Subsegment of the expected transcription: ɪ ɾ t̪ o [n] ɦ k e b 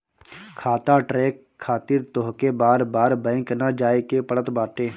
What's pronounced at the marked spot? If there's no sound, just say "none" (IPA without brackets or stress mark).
none